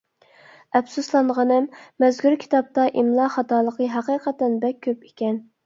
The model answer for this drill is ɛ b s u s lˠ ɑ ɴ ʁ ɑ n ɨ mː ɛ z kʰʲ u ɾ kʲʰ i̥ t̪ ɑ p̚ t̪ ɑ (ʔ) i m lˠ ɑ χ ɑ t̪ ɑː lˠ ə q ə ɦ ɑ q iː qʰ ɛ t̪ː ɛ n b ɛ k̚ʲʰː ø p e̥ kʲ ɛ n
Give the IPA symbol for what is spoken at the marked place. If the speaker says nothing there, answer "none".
ʔ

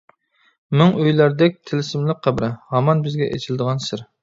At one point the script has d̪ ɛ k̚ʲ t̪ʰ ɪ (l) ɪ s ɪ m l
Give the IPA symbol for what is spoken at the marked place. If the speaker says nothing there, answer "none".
l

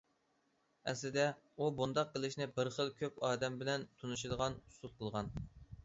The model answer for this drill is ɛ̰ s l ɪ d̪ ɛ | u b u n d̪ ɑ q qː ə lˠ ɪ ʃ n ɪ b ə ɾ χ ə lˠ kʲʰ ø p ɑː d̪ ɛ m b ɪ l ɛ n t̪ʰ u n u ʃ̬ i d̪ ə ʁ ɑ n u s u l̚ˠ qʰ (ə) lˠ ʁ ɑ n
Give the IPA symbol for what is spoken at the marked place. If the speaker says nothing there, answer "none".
ə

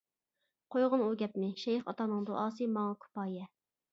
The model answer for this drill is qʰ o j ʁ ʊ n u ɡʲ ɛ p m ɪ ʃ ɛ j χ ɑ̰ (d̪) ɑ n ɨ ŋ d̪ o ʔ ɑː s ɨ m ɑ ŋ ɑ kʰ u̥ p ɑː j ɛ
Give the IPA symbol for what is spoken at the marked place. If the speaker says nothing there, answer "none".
t̪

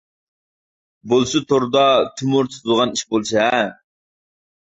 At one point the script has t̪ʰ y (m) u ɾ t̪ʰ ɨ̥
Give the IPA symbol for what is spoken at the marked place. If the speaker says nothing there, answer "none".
m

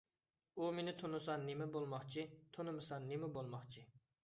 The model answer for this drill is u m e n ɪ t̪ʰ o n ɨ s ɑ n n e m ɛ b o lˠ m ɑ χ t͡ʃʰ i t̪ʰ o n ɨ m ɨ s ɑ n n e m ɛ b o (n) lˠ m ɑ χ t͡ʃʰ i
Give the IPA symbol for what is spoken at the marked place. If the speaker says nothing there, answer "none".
none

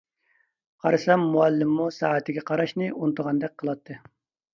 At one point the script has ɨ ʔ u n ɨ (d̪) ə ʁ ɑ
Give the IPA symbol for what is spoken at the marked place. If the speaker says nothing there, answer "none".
t̪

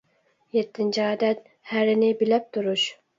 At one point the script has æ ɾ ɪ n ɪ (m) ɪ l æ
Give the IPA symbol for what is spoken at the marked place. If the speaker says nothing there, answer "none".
b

